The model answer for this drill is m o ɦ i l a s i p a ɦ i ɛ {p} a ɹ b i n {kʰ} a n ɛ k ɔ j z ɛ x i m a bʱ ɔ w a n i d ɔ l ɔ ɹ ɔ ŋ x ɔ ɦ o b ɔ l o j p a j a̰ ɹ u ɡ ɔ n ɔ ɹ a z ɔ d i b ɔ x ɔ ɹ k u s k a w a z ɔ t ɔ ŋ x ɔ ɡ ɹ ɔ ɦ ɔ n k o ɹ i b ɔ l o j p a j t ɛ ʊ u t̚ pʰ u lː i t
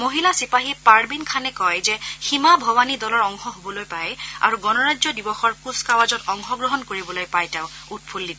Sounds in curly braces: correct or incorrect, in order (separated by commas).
correct, correct